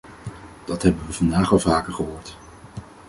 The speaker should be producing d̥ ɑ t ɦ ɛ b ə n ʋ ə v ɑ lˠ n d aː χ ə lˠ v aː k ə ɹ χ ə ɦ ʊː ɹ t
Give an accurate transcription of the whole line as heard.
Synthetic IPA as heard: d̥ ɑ t ɦ ɛ b ə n ʋ ə v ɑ n d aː χ ɑ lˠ v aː k ə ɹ χ ə ɦ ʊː ɹ t